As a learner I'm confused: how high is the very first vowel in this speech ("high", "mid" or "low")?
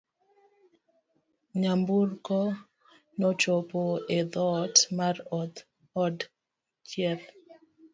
low